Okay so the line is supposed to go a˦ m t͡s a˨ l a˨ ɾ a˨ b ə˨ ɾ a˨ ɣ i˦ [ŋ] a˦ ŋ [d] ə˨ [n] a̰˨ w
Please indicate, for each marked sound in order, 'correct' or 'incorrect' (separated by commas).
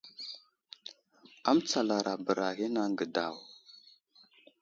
incorrect, incorrect, incorrect